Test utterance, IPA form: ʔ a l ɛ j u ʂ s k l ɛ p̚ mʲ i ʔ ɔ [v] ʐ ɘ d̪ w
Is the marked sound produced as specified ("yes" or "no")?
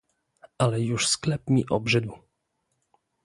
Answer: no